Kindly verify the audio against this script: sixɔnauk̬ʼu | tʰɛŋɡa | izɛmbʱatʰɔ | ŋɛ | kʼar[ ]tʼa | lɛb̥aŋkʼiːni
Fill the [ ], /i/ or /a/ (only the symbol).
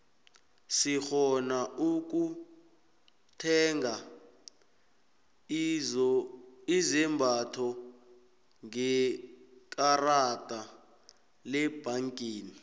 a